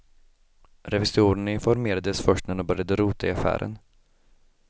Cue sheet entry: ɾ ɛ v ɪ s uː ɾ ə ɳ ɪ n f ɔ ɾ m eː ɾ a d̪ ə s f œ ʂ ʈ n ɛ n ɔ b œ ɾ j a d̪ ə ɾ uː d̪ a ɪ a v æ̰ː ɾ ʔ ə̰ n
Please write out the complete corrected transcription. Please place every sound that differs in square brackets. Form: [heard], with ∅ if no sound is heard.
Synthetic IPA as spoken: ɾ ɛ v ɪ s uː ɾ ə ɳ ɪ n f ɔ ɾ m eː ɾ a d̪ ə s f œ ʂ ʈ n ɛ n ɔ b œ ɾ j a d̪ ə ɾ uː [t̪] a ɪ a [f] æ̰ː ɾ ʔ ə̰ n